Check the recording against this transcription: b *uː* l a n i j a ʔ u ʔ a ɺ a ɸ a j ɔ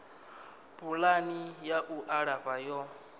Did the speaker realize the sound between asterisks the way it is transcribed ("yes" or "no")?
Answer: no